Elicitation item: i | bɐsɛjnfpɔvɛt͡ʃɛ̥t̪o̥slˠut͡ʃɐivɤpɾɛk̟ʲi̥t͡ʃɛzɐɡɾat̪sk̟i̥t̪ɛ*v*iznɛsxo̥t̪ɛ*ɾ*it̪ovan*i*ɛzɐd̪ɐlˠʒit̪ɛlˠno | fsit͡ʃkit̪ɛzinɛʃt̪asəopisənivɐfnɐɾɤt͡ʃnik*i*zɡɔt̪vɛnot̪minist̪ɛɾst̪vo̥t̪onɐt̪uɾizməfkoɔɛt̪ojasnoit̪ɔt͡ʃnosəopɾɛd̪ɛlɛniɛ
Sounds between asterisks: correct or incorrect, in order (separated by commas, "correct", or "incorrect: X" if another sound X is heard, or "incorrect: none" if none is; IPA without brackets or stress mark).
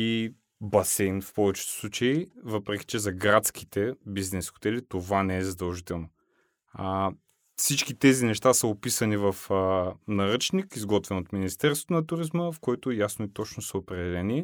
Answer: incorrect: b, incorrect: l, incorrect: ɛ, correct